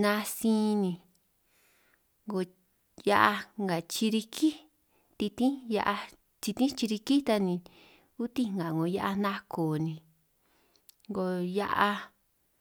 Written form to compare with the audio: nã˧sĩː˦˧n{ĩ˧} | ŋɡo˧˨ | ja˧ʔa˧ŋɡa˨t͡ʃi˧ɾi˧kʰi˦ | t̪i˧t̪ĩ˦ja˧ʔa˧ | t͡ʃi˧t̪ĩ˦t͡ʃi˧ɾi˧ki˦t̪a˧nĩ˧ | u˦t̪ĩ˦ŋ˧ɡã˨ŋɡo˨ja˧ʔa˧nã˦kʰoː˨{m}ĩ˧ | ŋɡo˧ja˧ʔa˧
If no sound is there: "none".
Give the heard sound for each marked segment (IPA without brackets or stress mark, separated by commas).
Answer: ĩ˧, n